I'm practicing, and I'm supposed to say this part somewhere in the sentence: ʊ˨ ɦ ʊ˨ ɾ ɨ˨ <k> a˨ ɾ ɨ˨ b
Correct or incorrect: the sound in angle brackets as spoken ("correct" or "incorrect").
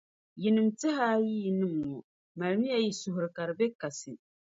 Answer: correct